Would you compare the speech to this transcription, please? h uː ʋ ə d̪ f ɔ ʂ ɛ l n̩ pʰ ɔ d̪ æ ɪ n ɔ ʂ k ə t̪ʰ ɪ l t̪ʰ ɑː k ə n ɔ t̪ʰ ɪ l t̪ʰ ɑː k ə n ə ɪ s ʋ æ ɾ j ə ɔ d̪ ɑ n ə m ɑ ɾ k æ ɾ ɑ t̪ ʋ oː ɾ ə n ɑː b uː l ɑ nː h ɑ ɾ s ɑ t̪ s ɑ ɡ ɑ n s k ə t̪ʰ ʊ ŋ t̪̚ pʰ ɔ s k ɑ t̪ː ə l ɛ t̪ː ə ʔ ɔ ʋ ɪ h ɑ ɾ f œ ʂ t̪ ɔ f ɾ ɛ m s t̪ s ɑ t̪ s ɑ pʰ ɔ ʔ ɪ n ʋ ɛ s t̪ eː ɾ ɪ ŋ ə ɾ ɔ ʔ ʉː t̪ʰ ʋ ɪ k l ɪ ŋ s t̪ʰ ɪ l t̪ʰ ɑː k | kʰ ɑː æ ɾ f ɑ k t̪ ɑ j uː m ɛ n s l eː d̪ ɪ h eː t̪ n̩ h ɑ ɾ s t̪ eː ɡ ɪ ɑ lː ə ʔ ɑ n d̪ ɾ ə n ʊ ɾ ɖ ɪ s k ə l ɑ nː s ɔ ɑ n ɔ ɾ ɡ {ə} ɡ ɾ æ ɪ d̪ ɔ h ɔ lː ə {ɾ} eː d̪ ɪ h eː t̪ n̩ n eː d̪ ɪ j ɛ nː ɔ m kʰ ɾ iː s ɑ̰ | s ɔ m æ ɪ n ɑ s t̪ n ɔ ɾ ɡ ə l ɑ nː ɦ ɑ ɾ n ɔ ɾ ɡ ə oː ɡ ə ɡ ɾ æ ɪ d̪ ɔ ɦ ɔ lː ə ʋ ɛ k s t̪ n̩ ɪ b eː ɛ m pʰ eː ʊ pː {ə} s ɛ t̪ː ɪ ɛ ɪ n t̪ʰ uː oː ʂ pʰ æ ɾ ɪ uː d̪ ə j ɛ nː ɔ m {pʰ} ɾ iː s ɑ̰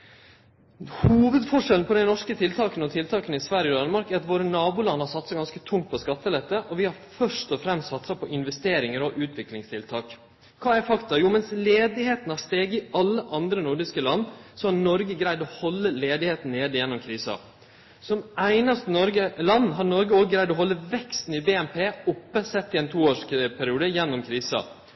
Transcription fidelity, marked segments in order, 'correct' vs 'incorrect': correct, incorrect: l, correct, incorrect: kʰ

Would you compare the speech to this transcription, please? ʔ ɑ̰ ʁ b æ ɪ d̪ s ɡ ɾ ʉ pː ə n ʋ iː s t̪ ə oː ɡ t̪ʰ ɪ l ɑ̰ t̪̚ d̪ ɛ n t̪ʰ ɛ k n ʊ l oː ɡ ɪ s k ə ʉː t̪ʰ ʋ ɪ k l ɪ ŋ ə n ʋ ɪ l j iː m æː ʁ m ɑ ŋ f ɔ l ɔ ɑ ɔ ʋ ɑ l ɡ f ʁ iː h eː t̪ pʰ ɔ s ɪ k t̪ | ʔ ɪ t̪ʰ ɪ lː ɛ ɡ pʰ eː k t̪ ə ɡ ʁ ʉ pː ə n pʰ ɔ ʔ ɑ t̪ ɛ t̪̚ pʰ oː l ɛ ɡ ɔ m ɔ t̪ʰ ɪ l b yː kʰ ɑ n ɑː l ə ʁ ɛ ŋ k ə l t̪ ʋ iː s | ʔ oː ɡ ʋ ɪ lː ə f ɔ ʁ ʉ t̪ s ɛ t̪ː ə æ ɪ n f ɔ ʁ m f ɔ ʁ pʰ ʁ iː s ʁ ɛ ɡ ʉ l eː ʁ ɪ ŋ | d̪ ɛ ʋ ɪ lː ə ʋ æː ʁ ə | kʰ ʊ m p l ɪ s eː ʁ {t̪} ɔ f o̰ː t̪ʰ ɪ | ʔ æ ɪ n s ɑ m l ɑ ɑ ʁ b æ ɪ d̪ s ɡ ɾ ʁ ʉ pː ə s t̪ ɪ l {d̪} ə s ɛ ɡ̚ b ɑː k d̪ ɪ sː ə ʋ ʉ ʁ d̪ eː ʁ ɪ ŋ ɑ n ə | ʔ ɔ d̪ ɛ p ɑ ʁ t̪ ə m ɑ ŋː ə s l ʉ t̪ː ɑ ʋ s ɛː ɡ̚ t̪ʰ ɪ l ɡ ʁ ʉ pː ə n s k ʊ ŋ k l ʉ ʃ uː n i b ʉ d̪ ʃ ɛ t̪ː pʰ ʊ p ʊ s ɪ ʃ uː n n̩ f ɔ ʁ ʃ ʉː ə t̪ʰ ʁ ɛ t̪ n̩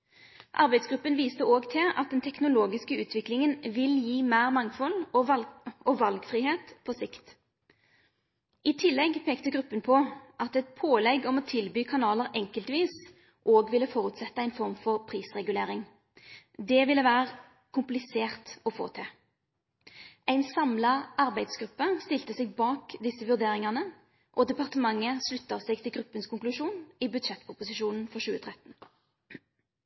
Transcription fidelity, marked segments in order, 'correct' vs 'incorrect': correct, incorrect: t̪

